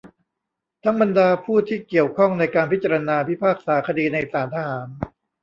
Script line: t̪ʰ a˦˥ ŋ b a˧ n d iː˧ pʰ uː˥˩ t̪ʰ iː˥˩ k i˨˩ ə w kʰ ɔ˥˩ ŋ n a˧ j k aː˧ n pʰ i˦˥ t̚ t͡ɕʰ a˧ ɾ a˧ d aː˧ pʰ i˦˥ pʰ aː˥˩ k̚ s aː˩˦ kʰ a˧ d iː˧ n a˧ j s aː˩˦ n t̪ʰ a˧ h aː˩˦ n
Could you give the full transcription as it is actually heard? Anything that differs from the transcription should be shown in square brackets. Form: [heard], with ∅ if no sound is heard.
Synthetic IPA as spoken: t̪ʰ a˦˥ ŋ b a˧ n d [aː˧] pʰ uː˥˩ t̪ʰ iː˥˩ k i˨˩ ə w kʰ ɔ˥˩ ŋ n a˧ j k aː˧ n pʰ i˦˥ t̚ [t͡ɕ] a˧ ɾ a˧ [n] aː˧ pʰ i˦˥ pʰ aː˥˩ k̚ s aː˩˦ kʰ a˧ d iː˧ n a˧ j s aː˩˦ n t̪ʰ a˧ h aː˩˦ n